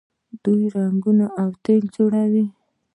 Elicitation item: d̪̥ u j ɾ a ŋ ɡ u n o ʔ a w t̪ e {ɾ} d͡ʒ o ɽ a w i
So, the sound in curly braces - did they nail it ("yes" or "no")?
no